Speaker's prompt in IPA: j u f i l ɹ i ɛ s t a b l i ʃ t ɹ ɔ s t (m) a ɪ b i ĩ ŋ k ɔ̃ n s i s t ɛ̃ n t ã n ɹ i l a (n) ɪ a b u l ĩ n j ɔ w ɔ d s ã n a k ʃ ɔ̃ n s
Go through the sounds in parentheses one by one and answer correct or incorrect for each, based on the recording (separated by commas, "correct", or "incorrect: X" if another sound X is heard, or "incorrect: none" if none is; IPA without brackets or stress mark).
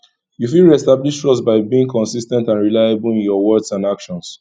incorrect: b, incorrect: none